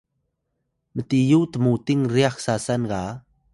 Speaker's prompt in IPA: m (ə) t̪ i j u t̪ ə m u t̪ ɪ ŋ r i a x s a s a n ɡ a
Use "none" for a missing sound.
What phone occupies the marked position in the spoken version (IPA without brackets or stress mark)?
ə